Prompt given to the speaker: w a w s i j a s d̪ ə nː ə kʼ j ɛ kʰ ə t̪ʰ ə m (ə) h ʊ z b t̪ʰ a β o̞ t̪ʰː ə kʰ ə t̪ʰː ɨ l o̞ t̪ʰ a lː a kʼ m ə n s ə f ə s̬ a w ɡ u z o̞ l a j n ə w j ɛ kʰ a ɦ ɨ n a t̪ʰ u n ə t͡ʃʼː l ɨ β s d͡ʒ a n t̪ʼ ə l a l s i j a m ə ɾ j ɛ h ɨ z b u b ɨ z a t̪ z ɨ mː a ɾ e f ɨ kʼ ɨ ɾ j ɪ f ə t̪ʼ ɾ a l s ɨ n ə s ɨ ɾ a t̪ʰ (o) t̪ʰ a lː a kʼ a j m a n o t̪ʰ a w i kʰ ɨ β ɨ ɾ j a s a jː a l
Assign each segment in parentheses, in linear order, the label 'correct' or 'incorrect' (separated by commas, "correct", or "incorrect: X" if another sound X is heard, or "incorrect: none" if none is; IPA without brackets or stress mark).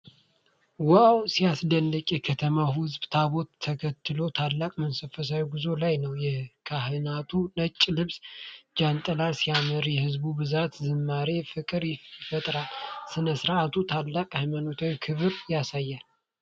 incorrect: a, incorrect: u